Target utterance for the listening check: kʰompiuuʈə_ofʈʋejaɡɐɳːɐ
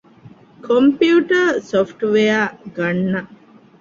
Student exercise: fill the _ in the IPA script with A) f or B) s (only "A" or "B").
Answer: B